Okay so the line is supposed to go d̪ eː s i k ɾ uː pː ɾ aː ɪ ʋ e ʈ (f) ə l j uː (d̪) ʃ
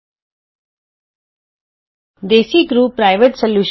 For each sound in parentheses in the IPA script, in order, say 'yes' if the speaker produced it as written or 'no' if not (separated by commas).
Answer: no, no